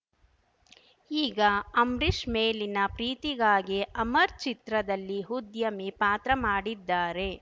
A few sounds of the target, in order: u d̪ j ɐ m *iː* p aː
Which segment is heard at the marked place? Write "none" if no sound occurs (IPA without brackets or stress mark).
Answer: i